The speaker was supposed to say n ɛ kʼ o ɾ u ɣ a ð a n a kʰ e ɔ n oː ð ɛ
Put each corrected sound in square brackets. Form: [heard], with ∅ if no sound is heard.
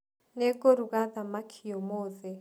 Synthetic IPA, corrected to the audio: n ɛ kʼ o ɾ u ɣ a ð a [m] a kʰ [i] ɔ [m] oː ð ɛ